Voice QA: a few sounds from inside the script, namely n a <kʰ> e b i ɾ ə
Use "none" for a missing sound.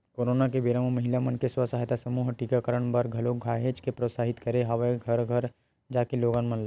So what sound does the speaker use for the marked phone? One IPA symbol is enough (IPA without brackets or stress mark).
k